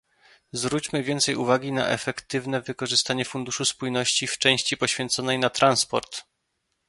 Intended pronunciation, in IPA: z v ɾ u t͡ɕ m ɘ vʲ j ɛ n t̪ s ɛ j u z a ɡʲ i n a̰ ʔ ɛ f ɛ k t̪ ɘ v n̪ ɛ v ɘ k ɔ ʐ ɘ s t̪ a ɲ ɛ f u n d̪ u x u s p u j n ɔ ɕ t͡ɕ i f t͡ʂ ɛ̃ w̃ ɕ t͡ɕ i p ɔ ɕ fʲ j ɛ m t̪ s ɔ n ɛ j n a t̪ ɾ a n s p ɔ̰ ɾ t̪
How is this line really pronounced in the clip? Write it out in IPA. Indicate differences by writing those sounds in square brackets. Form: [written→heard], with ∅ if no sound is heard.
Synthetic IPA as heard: z v ɾ u t͡ɕ m ɘ vʲ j ɛ n t̪ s ɛ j u [z→v] a ɡʲ i n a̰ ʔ ɛ f ɛ k t̪ ɘ v n̪ ɛ v ɘ k ɔ ʐ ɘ s t̪ a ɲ ɛ f u n d̪ u [x→ʂ] u s p u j n ɔ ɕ t͡ɕ i f t͡ʂ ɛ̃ w̃ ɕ t͡ɕ i p ɔ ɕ fʲ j ɛ [m→n] t̪ s ɔ n ɛ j n a t̪ ɾ a n s p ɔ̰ ɾ t̪